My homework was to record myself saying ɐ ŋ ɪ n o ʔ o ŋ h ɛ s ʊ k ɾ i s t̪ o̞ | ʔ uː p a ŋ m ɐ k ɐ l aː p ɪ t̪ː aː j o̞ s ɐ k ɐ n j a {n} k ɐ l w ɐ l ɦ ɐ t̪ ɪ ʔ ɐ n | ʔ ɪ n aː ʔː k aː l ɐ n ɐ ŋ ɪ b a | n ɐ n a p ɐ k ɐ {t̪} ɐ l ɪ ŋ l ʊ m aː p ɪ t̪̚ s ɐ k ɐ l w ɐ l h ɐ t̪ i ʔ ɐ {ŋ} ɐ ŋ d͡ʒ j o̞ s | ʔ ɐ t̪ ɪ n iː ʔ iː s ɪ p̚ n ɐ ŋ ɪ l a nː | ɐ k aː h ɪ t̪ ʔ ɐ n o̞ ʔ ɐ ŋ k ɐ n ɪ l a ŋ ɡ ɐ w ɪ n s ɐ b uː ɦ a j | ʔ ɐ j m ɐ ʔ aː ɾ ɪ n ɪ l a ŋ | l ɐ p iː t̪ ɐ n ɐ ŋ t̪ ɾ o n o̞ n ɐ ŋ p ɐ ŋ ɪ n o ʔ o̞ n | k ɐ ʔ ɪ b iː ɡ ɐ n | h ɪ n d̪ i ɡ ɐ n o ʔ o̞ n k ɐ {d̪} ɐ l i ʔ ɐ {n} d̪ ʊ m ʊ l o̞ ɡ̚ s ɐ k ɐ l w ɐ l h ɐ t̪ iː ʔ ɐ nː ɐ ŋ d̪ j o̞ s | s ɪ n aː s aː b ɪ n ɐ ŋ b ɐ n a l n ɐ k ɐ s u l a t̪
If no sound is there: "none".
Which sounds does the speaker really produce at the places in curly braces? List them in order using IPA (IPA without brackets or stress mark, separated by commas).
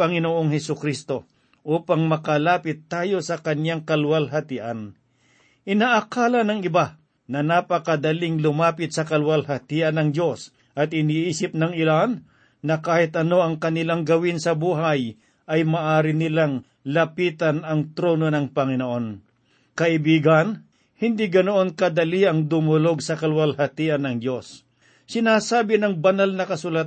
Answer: ŋ, d̪, n, d̪, ŋ